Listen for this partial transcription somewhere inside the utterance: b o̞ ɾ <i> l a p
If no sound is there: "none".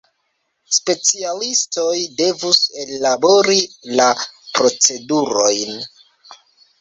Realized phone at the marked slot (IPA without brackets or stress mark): i